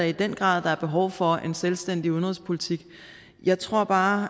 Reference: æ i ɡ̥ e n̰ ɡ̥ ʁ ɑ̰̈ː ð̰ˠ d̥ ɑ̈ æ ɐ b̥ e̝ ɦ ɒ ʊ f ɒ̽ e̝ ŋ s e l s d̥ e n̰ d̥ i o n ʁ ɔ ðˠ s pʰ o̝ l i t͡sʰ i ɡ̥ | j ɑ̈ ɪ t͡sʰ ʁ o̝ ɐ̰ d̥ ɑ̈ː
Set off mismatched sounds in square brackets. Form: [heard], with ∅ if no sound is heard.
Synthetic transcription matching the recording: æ i [d̥] e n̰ ɡ̥ ʁ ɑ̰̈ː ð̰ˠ d̥ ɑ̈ æ ɐ b̥ e̝ ɦ ɒ ʊ f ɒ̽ e̝ [n] s e l s d̥ e n̰ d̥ i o n ʁ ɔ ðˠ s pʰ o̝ l i t͡sʰ i ɡ̥ | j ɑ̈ ɪ t͡sʰ ʁ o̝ ɐ̰ [b̥] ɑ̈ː